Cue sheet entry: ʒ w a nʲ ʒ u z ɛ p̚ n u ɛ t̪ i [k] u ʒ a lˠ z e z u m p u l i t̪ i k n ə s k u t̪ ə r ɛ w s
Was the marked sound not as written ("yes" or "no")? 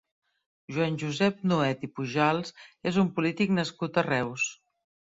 yes